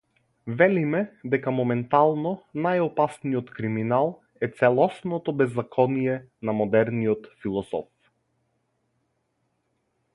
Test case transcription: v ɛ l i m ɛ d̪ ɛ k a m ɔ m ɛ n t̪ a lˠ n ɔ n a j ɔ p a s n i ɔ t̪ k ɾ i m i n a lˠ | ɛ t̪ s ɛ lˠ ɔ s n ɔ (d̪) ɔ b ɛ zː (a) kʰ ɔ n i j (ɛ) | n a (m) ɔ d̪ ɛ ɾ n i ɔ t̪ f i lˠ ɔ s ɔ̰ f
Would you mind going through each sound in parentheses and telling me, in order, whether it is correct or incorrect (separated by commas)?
incorrect, correct, correct, correct